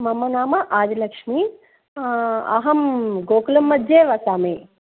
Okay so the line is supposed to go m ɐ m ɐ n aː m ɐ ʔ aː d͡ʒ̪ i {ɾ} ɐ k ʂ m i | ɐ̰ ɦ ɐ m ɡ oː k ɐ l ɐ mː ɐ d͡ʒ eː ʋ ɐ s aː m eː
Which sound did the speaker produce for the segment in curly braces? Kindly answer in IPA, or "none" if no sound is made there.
l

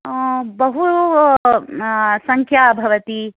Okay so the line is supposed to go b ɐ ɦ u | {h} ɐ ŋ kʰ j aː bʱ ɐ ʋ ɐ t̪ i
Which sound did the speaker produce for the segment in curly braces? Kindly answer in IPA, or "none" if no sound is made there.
s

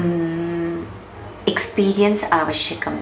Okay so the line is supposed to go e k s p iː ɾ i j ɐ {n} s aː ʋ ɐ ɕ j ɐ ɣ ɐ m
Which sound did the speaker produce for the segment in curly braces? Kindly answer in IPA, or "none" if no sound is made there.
n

